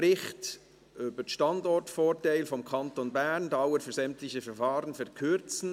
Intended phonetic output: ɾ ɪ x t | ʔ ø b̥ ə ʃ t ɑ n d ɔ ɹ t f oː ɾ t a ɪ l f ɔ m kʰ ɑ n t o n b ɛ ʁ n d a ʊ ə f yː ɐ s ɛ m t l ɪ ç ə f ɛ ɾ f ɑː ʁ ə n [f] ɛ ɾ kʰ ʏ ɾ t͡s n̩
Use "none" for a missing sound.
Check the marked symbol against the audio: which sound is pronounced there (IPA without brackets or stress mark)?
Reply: f